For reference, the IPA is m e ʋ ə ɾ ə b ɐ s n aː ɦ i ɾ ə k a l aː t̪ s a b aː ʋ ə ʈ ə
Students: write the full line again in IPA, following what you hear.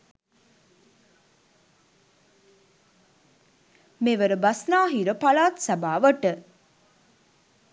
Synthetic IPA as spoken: m e ʋ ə ɾ ə b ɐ s n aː ɦ i ɾ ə p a l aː t̪ s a b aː ʋ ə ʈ ə